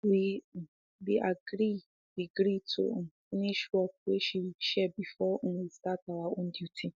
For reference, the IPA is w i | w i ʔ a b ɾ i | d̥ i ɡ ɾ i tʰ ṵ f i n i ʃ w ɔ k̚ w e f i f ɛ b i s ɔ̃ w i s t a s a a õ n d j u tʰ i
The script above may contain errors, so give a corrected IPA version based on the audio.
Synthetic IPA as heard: w i | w i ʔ a ɡ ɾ i | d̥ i ɡ ɾ i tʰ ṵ f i n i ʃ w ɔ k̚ w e ʃ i ʃ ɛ b i f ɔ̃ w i s t a t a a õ n d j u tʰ i

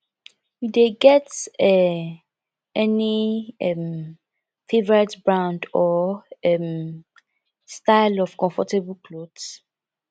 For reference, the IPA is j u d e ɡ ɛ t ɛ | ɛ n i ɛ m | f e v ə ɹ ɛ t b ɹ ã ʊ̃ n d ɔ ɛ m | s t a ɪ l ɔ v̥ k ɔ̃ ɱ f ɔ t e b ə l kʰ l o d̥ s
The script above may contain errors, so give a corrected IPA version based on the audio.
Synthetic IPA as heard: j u d e ɡ ɛ t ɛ | ɛ n i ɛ m | f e v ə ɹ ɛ t b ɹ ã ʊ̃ n d ɔ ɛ m | s t a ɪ l ɔ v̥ k ɔ̃ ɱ f ɔ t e b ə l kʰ l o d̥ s

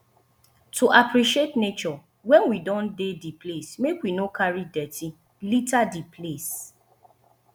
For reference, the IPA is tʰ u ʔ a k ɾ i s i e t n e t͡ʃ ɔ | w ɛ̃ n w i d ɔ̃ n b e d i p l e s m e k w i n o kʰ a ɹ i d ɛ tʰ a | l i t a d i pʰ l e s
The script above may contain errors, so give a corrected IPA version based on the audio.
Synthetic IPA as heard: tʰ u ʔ a p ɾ i ʃ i e t n e t͡ʃ ɔ | w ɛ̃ n w i d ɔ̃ n d e d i p l e s m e k w i n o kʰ a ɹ i d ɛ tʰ i | l i t a d i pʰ l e s

